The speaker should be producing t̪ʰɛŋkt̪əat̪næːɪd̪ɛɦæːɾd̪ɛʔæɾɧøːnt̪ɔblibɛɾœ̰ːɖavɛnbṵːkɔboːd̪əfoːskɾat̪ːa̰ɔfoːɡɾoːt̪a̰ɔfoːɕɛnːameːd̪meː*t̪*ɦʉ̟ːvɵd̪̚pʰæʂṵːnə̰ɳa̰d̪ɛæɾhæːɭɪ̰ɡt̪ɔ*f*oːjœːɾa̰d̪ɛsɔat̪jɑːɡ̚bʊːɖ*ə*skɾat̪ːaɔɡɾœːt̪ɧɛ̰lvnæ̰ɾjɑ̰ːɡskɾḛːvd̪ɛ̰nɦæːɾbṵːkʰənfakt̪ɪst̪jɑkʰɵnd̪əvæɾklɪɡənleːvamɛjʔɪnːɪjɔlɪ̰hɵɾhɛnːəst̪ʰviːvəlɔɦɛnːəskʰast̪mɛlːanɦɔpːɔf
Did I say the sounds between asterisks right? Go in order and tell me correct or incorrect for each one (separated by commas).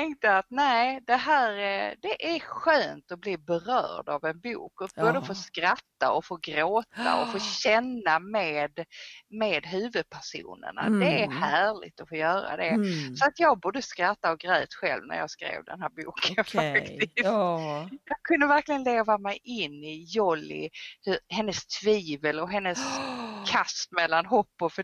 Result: incorrect, correct, correct